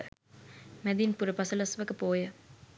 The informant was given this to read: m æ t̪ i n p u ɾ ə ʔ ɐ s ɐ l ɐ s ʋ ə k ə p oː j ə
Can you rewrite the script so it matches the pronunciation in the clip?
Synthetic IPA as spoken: m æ d̪ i n p u ɾ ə p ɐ s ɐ l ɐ s ʋ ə k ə p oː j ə